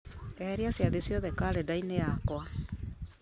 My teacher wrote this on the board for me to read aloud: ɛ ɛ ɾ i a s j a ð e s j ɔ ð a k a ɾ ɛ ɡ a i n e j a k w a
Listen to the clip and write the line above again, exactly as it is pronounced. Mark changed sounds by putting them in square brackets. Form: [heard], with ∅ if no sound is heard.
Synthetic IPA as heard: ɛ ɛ ɾ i a s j a ð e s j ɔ ð [ɛ] k a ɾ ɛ [d] a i n e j a k w a